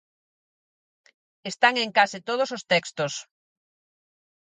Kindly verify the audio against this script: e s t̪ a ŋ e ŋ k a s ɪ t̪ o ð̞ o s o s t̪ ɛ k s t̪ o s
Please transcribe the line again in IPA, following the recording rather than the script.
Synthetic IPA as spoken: e s t̪ a ŋ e ŋ k a s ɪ t̪ o ð̞ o s o s t̪ ɛ k s t̪ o s